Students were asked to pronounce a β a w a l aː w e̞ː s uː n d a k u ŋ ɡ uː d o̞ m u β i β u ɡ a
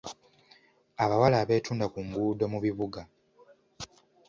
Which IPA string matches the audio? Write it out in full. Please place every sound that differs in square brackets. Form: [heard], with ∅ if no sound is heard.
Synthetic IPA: a β a w a l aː [β] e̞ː [t] uː n d a k u ŋ ɡ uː d o̞ m u β i β u ɡ a